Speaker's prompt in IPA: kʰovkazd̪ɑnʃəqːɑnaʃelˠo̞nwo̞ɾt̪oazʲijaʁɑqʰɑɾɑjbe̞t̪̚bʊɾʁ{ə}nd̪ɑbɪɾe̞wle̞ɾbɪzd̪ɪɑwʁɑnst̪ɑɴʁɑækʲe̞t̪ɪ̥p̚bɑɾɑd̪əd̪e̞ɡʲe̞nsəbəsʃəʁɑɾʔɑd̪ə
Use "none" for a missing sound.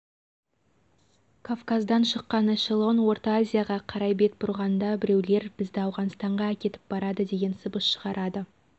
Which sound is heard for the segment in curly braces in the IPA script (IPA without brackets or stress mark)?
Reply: ɑ